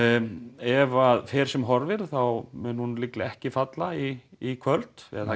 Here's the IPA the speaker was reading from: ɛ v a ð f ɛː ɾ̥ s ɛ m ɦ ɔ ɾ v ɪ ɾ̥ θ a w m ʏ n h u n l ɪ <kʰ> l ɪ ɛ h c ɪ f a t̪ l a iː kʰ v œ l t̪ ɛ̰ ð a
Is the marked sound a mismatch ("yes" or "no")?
yes